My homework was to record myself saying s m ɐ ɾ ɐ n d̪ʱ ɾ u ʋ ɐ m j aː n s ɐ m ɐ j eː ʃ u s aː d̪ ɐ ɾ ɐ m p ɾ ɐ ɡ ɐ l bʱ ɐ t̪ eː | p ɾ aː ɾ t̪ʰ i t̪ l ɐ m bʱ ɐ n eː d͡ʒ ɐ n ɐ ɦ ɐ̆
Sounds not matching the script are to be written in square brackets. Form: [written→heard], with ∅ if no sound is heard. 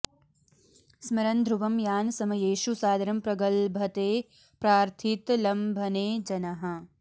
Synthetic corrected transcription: s m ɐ ɾ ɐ n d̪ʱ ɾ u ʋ ɐ m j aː n s ɐ m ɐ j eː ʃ u s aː d̪ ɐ ɾ ɐ m p ɾ ɐ ɡ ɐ l bʱ ɐ t̪ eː | p ɾ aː ɾ t̪ʰ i t̪ l ɐ m bʱ ɐ n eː d͡ʒ ɐ n ɐ ɦ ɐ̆